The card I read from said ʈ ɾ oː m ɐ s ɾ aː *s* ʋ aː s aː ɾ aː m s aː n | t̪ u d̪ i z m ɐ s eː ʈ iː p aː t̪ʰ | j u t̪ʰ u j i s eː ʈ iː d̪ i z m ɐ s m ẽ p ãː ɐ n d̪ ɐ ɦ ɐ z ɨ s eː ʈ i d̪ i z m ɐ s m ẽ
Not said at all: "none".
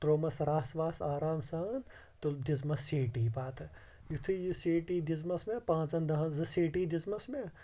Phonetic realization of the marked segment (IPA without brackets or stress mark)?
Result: s